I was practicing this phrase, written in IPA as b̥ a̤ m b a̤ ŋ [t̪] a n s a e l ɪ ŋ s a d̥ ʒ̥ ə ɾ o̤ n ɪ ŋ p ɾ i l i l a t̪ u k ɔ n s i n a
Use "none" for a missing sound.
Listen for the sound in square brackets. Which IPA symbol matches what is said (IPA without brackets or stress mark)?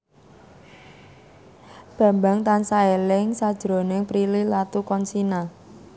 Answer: t̪